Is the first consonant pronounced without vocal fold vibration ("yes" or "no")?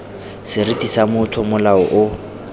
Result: yes